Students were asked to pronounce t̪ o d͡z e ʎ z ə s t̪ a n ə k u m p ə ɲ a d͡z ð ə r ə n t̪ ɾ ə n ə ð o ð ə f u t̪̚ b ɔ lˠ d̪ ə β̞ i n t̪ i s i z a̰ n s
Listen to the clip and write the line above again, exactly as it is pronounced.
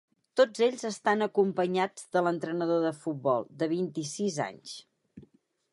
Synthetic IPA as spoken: t̪ o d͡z e ʎ z ə s t̪ a n ə k u m p ə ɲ a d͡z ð ə l ə n t̪ ɾ ə n ə ð o ð ə f u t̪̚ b ɔ lˠ d̪ ə β̞ i n t̪ i s i z a̰ ɲ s